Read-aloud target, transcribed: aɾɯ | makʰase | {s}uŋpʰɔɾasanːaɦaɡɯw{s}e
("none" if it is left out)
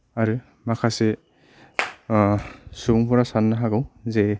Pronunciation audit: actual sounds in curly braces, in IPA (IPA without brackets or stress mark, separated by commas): s, z